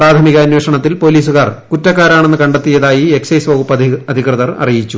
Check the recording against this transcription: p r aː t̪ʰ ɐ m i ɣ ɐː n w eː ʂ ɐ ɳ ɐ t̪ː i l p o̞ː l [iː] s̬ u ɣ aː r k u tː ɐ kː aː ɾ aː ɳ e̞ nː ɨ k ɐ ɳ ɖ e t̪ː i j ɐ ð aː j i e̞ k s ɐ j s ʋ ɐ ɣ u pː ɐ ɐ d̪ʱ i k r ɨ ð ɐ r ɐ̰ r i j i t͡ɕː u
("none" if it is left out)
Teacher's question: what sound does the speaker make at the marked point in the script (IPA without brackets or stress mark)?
iː